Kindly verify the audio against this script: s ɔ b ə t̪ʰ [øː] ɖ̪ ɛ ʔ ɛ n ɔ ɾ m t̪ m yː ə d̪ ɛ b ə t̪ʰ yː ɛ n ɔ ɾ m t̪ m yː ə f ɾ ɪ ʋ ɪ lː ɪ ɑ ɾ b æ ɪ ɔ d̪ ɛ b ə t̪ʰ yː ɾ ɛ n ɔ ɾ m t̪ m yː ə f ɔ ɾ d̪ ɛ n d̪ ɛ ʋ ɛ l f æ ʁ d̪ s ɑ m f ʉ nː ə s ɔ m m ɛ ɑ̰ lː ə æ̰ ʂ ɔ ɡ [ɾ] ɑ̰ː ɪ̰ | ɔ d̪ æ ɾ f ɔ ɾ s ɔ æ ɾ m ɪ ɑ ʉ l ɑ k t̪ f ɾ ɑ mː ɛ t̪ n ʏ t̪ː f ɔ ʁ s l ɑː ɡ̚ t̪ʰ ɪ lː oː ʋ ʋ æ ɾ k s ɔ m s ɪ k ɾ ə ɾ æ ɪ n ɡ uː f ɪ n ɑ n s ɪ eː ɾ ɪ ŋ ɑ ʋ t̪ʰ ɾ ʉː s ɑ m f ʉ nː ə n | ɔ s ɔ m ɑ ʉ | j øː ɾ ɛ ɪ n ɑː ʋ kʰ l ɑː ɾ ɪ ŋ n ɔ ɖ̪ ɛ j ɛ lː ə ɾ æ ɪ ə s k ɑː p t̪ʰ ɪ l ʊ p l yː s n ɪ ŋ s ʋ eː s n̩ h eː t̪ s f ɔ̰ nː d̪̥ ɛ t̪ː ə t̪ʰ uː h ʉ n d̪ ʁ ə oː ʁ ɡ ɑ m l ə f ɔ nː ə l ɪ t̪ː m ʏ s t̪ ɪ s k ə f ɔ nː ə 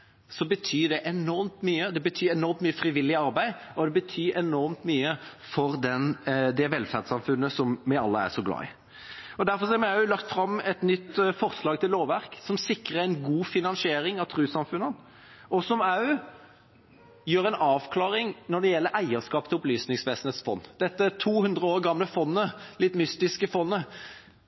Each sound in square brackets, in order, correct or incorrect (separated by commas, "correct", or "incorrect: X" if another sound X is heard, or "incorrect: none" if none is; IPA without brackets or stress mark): incorrect: yː, incorrect: l